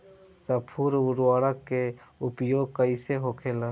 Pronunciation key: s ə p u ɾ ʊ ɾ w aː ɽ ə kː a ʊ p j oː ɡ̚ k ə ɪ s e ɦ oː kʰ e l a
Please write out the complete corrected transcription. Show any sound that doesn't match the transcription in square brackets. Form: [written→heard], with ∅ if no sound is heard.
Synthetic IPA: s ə [p→pʰ] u ɾ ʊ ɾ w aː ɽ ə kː [a→e] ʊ p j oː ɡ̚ k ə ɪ s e ɦ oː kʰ e l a